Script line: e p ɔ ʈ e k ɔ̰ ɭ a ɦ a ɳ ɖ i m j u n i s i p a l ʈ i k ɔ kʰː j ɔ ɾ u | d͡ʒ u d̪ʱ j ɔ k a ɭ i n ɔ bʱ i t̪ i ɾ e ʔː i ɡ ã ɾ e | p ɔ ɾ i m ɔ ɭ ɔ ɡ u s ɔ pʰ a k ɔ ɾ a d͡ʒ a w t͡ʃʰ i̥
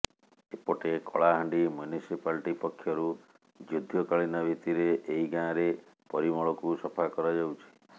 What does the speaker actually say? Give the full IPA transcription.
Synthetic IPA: e p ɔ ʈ e k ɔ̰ ɭ a ɦ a ɳ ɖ i m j u n i s i p a l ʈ i p ɔ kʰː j ɔ ɾ u | d͡ʒ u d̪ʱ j ɔ k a ɭ i n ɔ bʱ i t̪ i ɾ e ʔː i ɡ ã ɾ e | p ɔ ɾ i m ɔ ɭ ɔ k u s ɔ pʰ a k ɔ ɾ a d͡ʒ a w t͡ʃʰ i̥